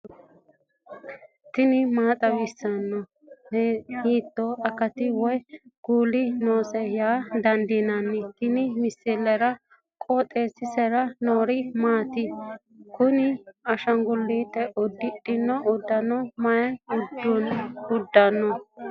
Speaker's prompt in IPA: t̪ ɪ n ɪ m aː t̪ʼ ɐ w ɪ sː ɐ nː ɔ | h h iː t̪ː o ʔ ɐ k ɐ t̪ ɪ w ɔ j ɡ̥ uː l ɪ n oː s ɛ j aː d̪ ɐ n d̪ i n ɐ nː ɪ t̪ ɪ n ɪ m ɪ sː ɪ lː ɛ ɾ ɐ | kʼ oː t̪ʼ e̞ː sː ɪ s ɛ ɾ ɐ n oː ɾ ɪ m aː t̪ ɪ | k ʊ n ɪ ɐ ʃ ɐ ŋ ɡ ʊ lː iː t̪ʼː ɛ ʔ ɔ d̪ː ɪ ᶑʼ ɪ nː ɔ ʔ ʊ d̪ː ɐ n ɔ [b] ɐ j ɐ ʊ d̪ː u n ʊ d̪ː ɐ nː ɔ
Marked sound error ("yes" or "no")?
yes